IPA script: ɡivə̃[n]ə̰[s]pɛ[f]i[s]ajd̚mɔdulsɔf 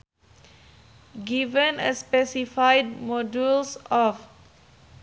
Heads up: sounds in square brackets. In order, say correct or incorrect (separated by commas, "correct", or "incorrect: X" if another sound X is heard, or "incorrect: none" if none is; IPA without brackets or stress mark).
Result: correct, correct, incorrect: s, incorrect: f